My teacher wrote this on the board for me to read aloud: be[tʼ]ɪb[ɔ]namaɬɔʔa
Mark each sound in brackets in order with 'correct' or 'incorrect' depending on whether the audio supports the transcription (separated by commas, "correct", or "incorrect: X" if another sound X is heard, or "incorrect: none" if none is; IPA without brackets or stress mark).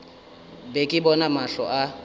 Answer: incorrect: kʼ, correct